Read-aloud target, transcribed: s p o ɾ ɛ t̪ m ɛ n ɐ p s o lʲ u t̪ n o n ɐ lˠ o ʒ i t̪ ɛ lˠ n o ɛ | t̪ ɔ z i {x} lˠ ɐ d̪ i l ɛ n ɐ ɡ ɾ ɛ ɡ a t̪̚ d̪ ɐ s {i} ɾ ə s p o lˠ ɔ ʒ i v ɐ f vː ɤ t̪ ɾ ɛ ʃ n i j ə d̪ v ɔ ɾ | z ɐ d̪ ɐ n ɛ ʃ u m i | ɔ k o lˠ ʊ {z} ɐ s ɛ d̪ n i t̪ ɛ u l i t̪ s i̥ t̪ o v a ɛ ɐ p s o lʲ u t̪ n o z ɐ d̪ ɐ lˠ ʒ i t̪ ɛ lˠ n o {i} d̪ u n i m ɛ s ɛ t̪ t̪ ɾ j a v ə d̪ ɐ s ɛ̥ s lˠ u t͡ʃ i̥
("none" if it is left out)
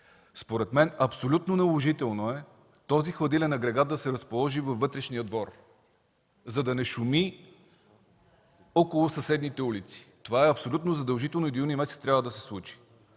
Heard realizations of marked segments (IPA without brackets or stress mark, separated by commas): x, ɛ, s, i